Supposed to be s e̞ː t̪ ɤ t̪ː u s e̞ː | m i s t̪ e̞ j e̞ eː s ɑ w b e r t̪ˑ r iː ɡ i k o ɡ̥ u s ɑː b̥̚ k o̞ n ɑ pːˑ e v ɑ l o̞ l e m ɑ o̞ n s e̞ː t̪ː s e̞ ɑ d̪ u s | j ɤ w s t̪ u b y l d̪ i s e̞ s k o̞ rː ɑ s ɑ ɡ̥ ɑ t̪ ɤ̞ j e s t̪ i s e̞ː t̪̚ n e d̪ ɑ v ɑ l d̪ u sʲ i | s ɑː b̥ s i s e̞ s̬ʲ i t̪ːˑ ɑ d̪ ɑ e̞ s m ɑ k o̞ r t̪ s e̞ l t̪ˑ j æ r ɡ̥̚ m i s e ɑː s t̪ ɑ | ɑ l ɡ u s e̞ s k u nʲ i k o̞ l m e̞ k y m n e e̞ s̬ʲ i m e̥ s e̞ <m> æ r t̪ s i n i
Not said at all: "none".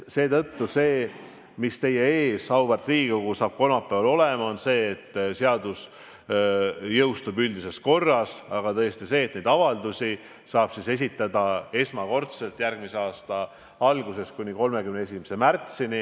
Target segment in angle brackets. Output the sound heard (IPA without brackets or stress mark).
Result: m